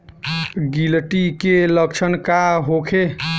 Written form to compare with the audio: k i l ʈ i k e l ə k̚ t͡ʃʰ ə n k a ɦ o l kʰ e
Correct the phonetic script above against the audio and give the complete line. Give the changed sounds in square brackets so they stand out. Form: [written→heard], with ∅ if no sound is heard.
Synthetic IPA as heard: [k→ɡ] i l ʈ i k e l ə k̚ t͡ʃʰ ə n k a ɦ o [l→∅] kʰ e